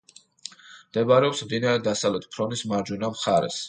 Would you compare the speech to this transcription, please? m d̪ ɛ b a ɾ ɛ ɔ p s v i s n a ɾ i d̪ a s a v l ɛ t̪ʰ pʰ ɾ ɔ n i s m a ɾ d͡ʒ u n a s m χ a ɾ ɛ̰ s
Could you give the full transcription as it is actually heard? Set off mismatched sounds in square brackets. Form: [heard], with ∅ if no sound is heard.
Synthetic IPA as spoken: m d̪ ɛ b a ɾ ɛ ɔ p s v i [∅] n a ɾ [ɛ] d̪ a s a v l ɛ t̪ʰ pʰ ɾ ɔ n i s m a ɾ d͡ʒ u n a [∅] m χ a ɾ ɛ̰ s